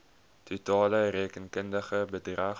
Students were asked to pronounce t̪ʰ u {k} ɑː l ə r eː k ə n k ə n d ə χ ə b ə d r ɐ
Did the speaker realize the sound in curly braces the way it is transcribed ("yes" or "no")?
no